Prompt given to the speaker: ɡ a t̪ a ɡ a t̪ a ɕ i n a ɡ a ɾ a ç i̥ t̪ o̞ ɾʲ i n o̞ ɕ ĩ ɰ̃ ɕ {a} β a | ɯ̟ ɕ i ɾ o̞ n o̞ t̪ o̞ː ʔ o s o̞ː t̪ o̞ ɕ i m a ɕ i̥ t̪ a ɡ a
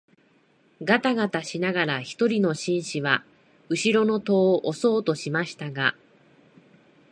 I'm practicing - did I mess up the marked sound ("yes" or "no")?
yes